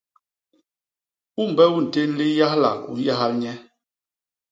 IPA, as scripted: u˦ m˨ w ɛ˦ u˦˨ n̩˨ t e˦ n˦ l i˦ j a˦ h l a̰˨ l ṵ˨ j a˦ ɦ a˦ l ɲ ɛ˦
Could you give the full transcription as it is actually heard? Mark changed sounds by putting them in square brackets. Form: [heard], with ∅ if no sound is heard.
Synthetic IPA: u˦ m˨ [b] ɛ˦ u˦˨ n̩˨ t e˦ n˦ l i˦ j a˦ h l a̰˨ l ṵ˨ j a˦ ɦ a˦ l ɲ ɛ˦